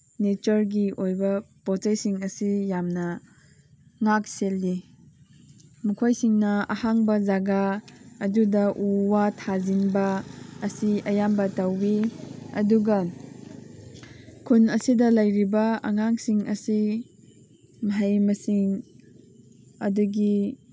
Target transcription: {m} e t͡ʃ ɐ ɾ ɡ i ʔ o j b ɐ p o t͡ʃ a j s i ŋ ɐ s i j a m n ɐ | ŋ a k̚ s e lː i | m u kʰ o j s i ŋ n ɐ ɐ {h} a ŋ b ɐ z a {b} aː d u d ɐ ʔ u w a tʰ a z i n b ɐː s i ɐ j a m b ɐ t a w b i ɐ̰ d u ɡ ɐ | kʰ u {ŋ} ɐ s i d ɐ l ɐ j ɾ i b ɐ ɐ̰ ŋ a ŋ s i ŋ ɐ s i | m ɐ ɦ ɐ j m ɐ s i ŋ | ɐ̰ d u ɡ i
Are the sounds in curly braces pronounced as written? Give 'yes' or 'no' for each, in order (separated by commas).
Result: no, yes, no, no